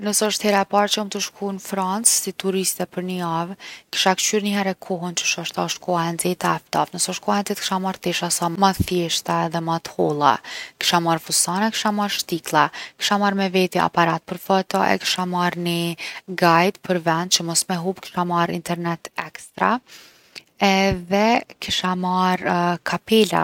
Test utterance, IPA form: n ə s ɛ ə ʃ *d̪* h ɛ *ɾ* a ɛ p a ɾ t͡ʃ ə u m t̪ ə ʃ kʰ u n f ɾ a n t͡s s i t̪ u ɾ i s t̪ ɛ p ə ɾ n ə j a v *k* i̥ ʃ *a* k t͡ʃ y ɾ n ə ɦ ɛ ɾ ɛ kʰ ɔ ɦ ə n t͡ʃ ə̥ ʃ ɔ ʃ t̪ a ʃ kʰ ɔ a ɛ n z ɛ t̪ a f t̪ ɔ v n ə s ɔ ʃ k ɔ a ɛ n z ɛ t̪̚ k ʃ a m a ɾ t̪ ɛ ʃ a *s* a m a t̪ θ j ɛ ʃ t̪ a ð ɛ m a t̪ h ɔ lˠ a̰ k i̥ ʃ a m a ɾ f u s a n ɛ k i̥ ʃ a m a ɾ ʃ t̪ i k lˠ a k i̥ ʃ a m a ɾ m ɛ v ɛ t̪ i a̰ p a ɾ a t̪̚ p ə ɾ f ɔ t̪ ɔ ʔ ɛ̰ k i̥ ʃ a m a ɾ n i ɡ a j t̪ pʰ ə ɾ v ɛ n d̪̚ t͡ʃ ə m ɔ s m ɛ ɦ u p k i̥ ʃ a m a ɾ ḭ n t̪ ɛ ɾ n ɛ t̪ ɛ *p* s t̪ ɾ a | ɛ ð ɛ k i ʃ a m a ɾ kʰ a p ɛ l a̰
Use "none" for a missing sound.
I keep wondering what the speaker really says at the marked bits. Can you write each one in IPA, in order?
t̪, ɾ, k, a, s, k

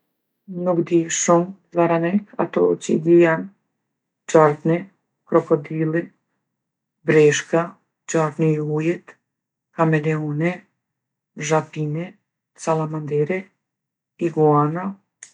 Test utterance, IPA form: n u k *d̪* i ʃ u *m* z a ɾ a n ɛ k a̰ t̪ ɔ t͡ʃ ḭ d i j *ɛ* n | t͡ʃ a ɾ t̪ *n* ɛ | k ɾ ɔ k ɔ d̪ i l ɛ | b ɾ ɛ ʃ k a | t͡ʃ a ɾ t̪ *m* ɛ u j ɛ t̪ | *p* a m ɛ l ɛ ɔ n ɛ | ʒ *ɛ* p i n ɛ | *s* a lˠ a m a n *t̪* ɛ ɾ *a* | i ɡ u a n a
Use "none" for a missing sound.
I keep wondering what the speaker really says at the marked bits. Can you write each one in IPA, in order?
d̪, m, a, n, n, k, a, s, d̪, ɛ

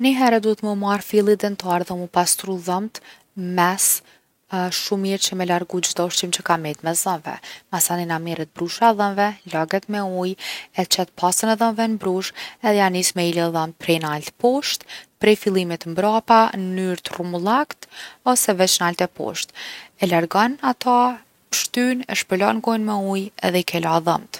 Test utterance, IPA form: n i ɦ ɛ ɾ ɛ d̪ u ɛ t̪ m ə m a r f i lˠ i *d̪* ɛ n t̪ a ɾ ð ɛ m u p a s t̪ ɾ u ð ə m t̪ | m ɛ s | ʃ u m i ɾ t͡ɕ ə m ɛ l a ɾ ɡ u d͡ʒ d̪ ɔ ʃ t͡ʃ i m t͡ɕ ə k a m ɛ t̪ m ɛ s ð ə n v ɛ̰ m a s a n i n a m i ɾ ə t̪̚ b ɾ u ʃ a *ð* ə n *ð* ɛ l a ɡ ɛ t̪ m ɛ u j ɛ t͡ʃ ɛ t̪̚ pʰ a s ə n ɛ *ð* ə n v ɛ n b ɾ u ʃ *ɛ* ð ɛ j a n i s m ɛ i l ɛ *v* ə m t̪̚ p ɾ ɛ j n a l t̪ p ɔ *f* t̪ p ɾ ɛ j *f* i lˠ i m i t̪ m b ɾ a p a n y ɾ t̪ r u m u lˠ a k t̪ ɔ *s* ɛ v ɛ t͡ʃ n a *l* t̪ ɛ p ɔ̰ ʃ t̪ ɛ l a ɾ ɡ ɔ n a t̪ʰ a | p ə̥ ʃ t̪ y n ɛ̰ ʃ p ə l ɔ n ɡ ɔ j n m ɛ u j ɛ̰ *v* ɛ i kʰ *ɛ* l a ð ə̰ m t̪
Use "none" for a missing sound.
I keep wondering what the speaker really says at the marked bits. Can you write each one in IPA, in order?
d̪, ð, v, ð, ɛ, ð, ʃ, f, s, l, ð, ɛ

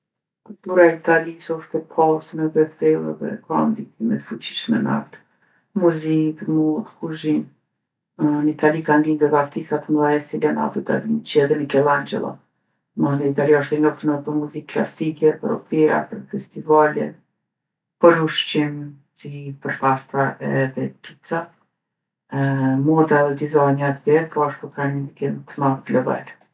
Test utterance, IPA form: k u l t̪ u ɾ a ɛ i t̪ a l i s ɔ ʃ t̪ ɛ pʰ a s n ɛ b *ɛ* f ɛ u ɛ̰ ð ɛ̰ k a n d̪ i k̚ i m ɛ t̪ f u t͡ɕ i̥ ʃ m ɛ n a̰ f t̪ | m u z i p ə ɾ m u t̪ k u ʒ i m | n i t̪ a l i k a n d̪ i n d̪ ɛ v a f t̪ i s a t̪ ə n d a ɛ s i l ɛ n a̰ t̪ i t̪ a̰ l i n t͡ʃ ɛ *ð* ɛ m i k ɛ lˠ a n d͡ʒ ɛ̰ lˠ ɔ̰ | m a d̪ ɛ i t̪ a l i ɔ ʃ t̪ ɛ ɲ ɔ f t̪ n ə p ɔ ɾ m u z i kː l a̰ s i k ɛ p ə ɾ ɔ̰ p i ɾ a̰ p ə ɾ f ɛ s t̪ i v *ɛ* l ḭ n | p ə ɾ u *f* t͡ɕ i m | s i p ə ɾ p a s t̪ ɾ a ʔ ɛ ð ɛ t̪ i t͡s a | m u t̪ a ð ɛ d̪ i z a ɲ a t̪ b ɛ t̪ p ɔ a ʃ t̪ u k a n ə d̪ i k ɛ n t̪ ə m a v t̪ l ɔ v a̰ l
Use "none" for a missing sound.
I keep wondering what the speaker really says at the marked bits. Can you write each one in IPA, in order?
ɛ, ð, a, ʃ

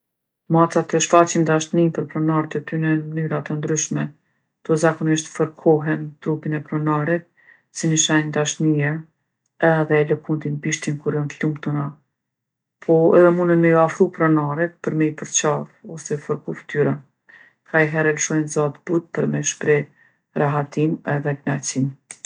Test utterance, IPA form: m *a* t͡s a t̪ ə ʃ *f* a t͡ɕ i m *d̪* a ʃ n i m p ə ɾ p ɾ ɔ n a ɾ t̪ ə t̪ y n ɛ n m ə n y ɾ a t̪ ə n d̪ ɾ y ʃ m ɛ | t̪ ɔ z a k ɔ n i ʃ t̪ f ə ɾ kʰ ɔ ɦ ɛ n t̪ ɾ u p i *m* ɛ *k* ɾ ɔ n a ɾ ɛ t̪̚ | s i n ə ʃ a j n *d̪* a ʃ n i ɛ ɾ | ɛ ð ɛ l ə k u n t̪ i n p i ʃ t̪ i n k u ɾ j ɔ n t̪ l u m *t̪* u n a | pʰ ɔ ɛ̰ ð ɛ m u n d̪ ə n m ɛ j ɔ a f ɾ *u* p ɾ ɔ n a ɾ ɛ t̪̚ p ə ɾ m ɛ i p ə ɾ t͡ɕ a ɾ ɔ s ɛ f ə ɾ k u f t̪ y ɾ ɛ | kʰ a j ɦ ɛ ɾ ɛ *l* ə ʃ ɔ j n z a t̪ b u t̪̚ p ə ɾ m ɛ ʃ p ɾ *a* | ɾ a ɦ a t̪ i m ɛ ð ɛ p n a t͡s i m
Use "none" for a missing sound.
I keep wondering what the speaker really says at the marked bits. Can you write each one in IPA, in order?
a, f, d̪, n, p, d̪, t̪, u, l, ɛ

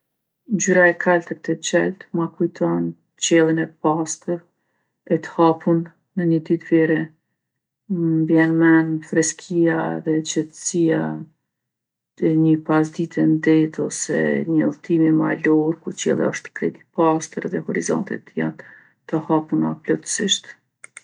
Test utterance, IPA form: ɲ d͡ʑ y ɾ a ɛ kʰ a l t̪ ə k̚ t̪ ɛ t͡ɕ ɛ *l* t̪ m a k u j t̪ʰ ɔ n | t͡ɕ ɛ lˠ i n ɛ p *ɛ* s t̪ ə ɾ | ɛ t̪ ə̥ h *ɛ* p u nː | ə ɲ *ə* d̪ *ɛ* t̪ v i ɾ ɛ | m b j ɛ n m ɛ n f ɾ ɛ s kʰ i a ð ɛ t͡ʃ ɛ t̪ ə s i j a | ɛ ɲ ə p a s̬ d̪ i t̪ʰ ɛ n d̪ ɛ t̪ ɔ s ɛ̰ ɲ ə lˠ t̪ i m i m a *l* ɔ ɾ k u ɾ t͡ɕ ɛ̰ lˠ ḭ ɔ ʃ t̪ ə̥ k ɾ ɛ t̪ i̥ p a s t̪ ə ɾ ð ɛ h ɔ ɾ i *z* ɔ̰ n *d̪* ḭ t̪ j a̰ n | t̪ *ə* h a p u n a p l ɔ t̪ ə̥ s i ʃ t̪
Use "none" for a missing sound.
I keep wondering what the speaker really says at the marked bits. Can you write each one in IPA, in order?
l, a, a, ə, i, l, z, t̪, ə

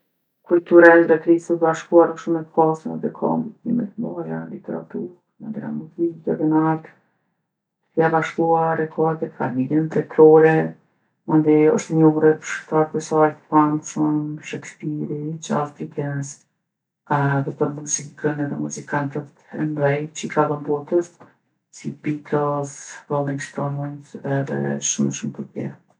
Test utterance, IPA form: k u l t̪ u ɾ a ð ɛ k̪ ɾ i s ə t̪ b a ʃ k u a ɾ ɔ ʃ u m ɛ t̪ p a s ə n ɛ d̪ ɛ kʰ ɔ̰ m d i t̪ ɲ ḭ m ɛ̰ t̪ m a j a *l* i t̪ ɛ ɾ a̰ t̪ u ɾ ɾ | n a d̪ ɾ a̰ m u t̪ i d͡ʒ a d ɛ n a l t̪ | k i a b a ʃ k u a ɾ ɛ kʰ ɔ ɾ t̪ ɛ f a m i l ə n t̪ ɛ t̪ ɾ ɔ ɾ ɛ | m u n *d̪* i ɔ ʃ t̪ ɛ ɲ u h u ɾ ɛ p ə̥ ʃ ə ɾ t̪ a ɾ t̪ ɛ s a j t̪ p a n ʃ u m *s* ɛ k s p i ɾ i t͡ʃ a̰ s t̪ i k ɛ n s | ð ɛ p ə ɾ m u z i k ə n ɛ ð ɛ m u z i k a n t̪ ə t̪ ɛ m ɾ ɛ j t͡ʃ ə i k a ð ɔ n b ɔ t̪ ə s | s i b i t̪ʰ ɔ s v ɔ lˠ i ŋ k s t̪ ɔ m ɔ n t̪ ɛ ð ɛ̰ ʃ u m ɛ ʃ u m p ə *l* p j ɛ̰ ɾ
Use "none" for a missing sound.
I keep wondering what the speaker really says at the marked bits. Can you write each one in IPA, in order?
l, d̪, ʃ, ɾ

